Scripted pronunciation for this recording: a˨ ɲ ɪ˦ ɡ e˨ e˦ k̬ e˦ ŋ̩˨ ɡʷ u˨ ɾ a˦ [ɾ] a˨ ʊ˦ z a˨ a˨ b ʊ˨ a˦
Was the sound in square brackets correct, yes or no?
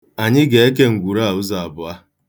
no